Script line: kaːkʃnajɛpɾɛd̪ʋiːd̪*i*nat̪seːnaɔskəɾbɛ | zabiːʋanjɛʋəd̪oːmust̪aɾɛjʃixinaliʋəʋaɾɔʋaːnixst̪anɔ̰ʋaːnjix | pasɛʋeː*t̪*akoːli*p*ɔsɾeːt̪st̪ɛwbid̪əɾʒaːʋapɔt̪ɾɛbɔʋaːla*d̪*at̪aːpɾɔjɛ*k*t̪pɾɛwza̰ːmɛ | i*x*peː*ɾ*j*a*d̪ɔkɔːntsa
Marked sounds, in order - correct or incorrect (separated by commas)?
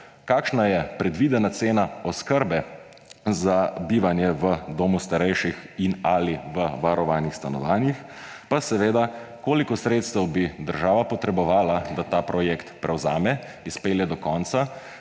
incorrect, incorrect, incorrect, correct, correct, incorrect, incorrect, incorrect